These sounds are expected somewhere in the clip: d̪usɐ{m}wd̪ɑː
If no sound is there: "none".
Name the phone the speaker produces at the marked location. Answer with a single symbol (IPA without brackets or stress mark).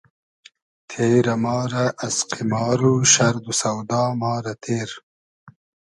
none